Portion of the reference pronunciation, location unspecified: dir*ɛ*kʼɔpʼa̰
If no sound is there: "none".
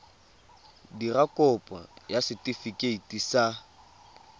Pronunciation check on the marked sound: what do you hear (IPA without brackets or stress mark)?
a